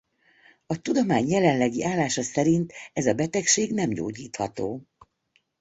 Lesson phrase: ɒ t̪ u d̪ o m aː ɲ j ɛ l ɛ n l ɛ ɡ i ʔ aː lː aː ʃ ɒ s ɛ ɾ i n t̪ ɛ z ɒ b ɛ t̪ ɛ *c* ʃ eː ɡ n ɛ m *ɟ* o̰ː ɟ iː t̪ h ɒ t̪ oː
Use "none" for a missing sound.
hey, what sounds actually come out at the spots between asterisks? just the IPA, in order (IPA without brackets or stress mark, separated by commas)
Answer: k, ɟ